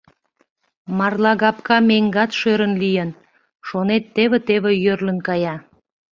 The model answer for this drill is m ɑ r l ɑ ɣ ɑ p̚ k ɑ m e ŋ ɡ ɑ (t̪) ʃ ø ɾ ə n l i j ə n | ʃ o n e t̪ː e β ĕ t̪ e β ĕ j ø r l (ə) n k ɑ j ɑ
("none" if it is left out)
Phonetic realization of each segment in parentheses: t̪, ə

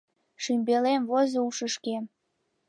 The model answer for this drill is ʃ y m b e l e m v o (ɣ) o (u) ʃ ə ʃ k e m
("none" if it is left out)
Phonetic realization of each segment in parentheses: z, u

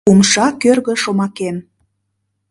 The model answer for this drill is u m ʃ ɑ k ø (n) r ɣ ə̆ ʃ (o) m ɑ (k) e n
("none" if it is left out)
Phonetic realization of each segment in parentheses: none, o, k

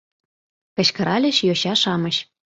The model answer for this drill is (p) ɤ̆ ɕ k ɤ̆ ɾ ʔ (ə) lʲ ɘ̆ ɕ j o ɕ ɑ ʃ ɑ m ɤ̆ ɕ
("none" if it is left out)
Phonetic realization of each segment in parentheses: k, ɑ

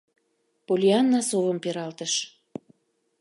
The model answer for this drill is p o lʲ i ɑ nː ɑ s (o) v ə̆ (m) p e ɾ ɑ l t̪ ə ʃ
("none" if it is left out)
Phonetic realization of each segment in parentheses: o, m

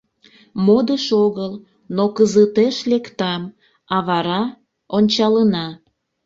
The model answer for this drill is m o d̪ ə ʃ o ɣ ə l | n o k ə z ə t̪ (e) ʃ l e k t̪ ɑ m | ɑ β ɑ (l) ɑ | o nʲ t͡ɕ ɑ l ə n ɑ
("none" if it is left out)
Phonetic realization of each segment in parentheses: e, ɾ

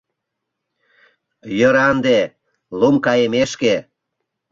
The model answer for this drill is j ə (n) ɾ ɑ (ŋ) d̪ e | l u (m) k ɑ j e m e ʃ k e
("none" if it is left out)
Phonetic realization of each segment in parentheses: none, n, m

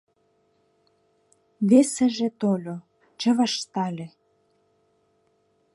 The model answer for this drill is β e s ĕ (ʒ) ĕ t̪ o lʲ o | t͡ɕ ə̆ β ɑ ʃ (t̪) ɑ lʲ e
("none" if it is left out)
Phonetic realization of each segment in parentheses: ʒ, t̪

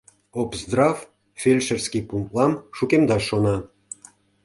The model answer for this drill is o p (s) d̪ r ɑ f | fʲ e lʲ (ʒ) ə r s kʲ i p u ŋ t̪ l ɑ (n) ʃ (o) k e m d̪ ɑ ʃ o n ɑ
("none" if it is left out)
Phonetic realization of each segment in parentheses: z, ʃ, m, u

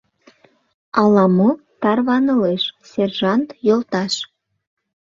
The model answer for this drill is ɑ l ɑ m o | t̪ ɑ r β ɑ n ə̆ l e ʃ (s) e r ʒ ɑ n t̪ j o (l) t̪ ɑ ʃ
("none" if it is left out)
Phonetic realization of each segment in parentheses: s, l

